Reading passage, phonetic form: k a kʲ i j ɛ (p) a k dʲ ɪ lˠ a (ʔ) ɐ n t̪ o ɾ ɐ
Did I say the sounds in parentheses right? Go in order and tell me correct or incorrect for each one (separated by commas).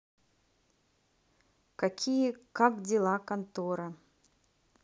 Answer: incorrect, incorrect